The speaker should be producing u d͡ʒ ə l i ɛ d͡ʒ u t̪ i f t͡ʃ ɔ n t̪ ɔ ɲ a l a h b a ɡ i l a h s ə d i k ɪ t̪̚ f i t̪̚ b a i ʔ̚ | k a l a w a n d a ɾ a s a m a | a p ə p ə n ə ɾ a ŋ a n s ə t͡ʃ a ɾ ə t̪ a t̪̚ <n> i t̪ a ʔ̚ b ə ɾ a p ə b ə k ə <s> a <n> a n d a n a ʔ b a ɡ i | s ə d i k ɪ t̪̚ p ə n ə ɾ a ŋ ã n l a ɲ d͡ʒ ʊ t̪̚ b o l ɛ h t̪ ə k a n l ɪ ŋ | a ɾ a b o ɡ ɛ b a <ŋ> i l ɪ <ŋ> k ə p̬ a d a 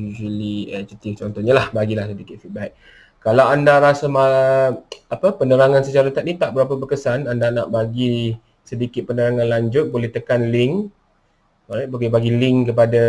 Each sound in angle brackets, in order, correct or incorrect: correct, correct, correct, incorrect, correct

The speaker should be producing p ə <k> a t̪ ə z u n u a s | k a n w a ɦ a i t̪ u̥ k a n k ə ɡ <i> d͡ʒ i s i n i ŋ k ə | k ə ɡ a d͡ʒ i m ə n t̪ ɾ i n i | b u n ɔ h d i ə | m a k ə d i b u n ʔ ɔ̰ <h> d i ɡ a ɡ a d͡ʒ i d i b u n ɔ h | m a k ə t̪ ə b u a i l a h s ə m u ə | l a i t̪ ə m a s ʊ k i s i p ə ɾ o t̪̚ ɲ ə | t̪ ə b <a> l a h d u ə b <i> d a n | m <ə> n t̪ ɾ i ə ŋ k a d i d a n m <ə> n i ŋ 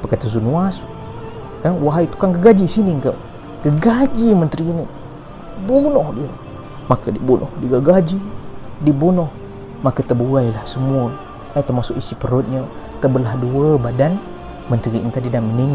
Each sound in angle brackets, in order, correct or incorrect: correct, incorrect, correct, incorrect, incorrect, correct, correct

